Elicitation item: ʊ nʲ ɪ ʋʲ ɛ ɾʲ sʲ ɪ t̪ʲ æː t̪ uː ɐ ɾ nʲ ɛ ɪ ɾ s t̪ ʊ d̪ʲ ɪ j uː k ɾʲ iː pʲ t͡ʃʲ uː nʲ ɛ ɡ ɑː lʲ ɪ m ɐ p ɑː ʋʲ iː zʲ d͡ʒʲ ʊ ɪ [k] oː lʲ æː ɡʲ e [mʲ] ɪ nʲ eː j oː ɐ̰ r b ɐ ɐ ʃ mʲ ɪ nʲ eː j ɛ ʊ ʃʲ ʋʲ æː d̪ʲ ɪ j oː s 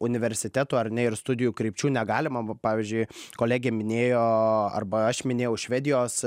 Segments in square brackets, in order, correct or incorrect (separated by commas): correct, correct